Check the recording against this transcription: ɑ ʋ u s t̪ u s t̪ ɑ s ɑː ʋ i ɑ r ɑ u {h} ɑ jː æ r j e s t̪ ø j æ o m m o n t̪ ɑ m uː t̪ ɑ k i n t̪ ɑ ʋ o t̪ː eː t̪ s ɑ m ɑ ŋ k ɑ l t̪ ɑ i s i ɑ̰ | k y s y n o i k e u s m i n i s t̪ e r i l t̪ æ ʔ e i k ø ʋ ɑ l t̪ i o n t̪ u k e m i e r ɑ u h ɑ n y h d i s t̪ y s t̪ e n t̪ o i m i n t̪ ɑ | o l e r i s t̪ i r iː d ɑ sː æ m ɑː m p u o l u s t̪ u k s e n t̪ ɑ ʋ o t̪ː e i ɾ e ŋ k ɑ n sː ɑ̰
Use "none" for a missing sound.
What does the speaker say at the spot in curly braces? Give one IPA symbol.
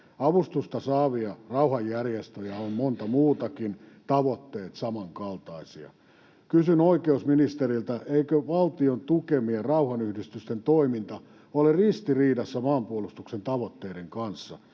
h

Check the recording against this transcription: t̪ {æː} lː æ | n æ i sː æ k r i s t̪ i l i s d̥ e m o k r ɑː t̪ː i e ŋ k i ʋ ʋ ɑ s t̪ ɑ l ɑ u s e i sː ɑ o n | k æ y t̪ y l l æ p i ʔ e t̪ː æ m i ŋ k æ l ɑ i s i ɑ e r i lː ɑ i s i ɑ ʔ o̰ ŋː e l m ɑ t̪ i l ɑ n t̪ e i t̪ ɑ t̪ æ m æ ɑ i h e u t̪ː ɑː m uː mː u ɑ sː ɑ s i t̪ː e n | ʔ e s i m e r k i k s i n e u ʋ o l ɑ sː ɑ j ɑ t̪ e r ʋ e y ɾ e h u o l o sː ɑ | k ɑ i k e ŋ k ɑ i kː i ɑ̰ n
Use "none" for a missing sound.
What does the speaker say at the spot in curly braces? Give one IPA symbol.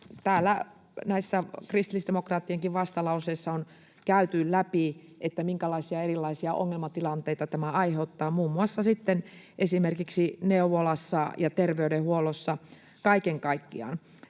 æː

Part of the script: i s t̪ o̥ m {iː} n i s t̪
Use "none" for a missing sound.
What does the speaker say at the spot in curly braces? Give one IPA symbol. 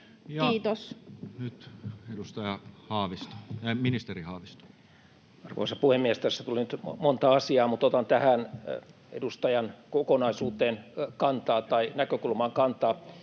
i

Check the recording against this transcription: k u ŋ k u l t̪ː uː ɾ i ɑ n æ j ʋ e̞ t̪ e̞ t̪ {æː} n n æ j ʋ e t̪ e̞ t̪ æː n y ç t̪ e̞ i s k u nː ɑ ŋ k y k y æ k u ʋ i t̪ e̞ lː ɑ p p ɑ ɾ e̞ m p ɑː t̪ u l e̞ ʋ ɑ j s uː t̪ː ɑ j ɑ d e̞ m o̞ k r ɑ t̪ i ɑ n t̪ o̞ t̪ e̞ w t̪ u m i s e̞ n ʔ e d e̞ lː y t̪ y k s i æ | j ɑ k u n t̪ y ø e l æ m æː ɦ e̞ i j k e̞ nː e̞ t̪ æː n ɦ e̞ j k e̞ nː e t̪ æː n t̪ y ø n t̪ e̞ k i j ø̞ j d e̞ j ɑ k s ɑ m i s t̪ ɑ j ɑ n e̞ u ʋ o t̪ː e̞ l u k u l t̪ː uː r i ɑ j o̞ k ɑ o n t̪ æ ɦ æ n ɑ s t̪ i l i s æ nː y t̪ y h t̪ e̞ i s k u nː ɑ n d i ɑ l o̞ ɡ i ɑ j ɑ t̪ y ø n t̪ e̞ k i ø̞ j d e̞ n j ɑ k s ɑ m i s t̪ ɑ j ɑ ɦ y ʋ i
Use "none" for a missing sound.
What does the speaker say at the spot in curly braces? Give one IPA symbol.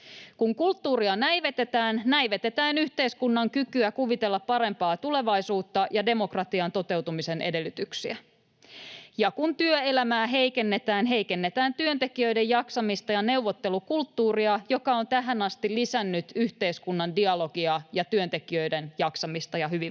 æː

